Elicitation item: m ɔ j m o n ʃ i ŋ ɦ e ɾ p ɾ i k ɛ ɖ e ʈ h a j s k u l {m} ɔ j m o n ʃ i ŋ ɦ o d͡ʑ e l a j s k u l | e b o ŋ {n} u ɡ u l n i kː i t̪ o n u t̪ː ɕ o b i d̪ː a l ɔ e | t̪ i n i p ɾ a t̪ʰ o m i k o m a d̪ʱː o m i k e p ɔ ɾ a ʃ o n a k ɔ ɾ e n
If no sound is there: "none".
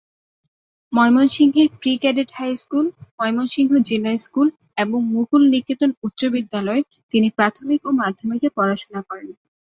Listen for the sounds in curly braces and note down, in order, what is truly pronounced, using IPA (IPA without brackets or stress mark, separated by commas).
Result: m, m